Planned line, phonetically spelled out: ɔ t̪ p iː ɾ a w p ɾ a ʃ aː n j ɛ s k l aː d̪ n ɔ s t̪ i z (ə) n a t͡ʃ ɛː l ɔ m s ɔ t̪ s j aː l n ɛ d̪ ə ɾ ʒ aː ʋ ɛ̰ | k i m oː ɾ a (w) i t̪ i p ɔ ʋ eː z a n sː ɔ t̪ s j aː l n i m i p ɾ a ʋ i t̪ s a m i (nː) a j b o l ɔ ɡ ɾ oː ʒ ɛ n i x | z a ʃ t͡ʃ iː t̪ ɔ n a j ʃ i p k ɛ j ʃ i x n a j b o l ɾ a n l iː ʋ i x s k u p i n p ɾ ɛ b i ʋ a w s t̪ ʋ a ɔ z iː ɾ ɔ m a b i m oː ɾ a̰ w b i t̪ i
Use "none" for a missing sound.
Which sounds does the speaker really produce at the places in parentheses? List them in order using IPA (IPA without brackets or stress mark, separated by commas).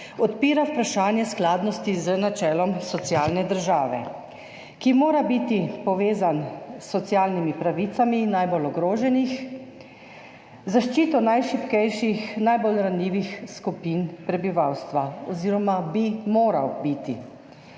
ə, b, n